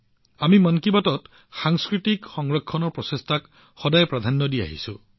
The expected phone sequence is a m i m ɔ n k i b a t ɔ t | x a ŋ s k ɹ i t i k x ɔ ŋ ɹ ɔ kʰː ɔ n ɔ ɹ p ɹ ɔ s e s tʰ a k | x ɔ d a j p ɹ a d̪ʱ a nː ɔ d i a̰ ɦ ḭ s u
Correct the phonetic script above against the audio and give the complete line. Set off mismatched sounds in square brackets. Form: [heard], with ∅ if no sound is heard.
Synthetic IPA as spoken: a m i m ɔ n k i b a t ɔ t | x a ŋ s k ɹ i t i k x ɔ ŋ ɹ ɔ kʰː ɔ n ɔ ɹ p ɹ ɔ s e s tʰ a k | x ɔ d a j p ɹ a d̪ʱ a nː ɔ d i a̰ ɦ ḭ s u